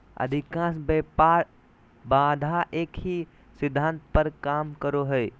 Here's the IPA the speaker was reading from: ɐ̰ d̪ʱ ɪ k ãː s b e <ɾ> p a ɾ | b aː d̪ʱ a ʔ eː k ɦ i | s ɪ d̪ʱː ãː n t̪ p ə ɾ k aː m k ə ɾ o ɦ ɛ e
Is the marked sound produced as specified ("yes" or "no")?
no